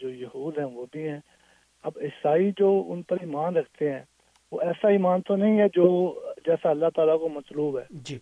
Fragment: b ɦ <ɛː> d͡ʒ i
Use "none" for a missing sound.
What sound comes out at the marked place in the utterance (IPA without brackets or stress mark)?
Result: ɛː